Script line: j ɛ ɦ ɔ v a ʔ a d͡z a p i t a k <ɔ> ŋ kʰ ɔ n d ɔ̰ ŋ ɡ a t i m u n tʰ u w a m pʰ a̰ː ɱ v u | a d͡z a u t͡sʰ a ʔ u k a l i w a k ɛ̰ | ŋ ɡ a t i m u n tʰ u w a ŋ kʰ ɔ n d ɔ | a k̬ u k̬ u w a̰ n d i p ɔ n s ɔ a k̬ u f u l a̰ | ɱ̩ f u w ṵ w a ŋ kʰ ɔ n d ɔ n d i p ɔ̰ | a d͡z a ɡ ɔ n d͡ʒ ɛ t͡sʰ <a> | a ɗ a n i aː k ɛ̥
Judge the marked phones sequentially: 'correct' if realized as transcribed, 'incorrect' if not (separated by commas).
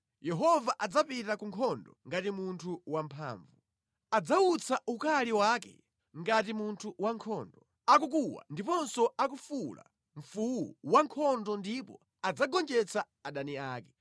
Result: incorrect, correct